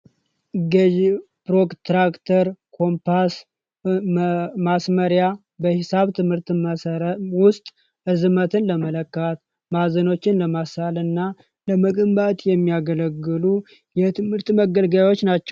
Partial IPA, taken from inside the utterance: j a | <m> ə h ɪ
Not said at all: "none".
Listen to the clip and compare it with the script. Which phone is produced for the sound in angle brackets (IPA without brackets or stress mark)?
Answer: b